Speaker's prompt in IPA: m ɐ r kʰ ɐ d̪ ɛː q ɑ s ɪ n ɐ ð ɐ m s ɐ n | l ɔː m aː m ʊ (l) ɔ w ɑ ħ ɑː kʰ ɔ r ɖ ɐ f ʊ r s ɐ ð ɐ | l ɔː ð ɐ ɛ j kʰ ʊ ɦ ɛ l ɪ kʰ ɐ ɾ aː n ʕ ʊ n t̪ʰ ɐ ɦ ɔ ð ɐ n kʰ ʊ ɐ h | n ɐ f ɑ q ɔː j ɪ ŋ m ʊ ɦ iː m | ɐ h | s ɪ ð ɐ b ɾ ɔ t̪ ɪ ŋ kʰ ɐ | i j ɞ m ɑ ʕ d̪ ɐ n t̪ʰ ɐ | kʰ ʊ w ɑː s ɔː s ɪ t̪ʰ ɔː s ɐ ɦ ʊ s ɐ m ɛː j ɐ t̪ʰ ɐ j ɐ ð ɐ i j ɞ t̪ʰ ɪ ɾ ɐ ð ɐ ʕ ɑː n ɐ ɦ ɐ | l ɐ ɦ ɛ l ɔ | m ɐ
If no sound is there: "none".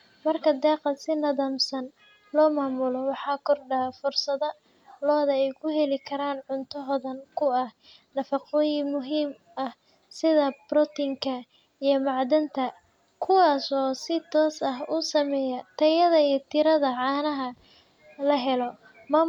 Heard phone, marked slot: l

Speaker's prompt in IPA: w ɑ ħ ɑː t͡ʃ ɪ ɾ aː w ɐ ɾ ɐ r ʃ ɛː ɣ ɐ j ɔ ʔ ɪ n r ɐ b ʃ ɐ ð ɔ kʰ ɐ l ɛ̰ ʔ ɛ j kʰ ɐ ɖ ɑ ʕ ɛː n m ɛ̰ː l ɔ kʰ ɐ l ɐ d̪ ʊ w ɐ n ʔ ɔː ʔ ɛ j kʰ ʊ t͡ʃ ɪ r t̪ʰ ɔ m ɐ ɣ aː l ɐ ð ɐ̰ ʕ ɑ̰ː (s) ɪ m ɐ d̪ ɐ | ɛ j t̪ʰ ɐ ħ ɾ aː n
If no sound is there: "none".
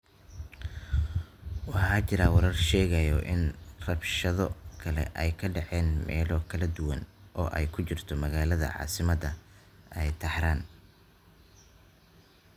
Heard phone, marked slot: s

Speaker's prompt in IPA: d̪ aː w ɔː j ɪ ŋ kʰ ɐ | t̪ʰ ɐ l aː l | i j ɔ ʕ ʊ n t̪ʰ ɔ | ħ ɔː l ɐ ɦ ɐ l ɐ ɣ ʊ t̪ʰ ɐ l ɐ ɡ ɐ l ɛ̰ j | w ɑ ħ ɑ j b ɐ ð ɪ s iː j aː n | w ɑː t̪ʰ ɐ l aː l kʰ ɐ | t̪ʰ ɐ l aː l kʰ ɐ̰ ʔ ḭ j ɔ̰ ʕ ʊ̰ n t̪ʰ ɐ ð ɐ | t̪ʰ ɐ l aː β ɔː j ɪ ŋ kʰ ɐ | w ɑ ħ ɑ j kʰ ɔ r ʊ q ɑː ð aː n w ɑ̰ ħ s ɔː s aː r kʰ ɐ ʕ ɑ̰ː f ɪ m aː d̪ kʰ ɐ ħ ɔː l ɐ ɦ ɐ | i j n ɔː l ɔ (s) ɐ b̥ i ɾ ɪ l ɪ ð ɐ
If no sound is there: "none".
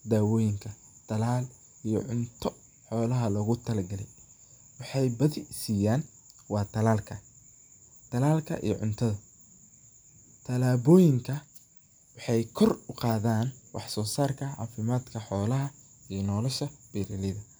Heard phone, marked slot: ʃ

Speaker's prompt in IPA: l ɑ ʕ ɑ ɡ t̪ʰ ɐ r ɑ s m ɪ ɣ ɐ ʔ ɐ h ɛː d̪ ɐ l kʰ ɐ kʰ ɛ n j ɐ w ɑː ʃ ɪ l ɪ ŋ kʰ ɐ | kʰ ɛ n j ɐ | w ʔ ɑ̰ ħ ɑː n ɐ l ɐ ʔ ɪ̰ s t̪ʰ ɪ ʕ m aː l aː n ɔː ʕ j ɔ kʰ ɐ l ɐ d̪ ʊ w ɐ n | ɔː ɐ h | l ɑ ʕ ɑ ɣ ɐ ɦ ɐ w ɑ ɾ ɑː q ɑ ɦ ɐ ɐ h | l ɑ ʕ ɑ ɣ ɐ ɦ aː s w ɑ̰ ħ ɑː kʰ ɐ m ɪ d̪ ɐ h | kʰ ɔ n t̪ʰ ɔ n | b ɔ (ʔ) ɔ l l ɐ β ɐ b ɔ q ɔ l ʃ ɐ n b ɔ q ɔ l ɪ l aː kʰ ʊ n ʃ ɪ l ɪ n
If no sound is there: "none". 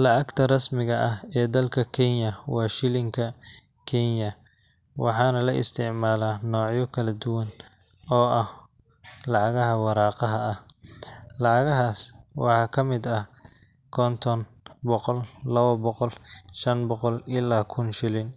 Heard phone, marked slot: q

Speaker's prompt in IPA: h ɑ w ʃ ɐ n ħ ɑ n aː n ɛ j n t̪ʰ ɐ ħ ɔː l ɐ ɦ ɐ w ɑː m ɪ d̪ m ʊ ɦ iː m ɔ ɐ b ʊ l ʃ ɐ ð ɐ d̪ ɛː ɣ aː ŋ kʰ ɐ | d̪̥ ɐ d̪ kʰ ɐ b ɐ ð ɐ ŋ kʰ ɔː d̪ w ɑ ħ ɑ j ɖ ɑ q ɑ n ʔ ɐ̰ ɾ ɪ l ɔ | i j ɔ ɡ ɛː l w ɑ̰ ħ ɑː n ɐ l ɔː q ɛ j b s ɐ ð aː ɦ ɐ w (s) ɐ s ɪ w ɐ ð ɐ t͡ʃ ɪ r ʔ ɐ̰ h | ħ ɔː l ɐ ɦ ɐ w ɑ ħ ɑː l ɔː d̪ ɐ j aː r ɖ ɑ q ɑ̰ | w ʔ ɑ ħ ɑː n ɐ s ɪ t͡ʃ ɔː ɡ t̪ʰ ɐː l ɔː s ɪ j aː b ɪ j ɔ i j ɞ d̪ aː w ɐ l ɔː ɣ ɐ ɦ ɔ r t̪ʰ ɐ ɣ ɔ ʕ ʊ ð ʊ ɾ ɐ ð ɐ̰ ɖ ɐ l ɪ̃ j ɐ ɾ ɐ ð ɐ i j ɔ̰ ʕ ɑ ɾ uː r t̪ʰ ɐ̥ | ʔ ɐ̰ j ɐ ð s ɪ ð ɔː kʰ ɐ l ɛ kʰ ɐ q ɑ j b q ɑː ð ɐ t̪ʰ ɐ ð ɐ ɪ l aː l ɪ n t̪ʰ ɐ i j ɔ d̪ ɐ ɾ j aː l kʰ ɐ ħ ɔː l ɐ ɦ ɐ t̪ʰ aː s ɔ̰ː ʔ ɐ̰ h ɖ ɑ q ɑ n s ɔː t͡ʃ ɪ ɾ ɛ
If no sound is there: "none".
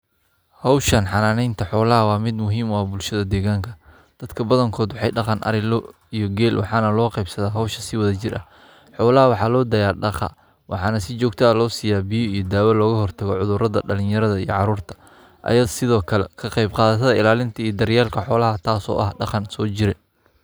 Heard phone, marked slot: ʃ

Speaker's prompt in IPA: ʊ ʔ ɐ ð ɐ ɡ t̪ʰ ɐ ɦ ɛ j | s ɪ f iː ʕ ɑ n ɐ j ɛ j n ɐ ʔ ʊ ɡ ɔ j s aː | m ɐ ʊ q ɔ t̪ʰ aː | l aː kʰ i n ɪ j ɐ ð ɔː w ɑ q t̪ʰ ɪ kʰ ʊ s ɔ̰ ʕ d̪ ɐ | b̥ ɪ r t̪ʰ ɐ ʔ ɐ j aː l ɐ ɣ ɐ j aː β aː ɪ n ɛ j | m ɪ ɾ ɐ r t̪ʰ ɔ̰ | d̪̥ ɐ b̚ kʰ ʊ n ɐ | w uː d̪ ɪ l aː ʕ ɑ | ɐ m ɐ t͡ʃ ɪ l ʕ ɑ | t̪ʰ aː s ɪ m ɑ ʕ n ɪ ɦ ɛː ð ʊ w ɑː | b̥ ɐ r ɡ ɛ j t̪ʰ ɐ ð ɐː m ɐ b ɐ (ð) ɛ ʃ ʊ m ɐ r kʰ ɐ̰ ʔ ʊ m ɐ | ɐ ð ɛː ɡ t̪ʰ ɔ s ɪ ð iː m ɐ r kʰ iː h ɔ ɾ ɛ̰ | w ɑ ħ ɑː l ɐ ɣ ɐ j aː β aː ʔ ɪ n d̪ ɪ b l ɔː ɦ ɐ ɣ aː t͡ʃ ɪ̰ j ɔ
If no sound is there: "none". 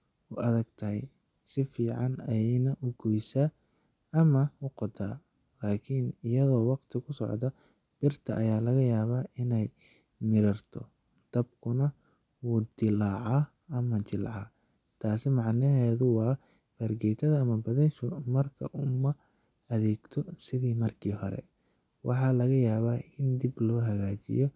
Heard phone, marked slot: ð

